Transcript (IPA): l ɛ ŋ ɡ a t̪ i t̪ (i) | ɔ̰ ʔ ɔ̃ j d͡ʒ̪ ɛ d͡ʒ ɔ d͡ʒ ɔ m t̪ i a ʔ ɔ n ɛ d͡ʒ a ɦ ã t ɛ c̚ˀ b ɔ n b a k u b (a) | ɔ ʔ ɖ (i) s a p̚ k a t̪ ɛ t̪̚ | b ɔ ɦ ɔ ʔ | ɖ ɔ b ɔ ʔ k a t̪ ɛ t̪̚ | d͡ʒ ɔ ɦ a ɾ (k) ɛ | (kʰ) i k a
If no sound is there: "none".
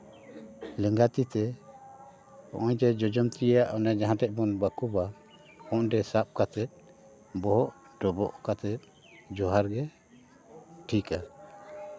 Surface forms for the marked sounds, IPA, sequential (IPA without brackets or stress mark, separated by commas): ɛ, a, ɛ, ɡ, ʈʰ